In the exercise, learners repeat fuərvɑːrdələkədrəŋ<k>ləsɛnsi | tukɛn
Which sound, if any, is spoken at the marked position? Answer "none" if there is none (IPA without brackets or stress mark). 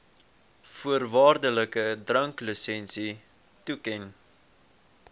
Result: k